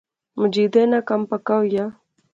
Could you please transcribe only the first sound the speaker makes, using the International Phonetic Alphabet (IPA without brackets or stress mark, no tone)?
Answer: m